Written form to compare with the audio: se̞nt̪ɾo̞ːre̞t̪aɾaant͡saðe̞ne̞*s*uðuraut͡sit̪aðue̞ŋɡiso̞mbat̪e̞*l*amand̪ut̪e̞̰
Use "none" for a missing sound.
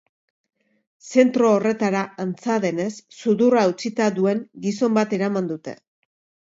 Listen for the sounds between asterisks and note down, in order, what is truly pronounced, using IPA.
sː, ɾ

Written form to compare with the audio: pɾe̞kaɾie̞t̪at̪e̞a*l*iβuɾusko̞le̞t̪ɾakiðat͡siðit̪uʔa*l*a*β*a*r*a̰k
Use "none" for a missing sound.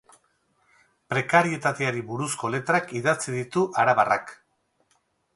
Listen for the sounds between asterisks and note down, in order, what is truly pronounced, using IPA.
ɾ, ɾ, β, r

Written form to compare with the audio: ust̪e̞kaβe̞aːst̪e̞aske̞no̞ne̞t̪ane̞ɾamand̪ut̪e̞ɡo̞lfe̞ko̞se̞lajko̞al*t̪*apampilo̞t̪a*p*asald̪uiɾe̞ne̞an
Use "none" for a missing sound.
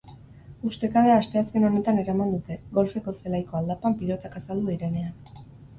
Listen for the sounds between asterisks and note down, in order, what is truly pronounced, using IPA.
d̪, k

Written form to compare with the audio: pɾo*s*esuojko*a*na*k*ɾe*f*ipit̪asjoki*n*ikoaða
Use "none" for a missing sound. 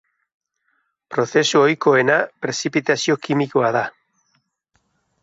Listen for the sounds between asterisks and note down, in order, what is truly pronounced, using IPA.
θ, e, p, s, m

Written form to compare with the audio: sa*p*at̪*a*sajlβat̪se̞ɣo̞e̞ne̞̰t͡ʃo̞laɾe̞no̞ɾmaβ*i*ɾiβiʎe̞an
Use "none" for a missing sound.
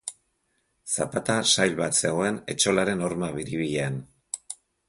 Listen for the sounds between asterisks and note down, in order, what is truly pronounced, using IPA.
p, a, i

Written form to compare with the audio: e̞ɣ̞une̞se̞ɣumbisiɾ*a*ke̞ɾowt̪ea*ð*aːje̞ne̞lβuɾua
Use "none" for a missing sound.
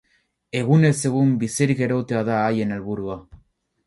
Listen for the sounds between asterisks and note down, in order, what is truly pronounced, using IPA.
i, ð

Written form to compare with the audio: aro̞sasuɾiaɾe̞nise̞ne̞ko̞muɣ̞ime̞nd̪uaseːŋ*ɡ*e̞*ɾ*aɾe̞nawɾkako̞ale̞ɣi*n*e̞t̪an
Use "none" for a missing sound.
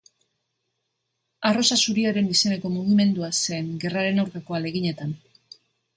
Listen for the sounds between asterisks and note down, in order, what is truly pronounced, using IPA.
ɡ, r, ɲ

